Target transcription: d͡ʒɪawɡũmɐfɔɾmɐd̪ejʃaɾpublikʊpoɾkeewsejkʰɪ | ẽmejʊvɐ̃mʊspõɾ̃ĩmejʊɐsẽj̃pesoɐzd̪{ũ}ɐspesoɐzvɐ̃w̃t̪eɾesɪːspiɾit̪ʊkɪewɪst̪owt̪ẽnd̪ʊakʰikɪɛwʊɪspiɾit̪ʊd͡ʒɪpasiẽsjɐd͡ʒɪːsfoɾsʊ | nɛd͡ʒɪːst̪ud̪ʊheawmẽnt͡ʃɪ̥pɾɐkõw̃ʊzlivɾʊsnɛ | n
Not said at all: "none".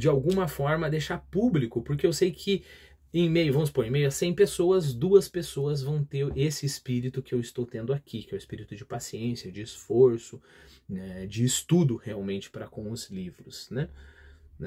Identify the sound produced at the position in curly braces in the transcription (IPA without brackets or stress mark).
u